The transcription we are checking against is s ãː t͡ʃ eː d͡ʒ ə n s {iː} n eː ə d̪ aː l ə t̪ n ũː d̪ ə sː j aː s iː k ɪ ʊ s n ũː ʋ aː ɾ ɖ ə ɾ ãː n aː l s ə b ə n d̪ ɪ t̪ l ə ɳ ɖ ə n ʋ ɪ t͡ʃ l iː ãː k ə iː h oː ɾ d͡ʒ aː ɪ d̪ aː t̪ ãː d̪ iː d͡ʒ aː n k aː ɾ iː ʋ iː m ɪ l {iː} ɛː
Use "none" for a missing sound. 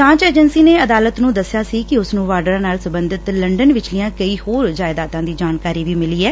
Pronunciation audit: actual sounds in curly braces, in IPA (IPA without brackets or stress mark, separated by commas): iː, iː